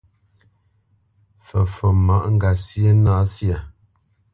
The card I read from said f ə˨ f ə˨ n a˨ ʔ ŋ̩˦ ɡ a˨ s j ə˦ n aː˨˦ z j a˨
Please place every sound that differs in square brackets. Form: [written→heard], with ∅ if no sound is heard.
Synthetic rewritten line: f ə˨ f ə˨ [n→m] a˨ ʔ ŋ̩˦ ɡ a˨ s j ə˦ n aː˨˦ [z→s] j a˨